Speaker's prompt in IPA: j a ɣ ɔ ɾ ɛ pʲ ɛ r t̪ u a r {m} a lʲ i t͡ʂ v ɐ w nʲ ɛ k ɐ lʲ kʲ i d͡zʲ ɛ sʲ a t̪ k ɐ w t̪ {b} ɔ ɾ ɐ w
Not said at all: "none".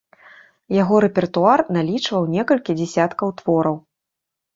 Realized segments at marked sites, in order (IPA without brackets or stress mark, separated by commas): n, v